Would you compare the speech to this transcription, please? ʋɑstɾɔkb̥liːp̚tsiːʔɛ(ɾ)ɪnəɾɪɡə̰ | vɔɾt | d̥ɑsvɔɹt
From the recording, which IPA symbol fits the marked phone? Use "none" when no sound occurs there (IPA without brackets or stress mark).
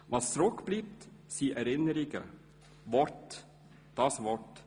ɾ